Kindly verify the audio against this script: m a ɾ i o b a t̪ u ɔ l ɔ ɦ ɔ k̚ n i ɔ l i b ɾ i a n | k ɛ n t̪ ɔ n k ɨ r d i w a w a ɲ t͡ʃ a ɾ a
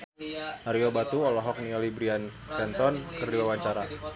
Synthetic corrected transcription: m a ɾ i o b a t̪ u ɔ l ɔ ɦ ɔ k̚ n i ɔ l i b ɾ i a n | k ɛ n t̪ ɔ n k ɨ r d i w a w a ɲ t͡ʃ a ɾ a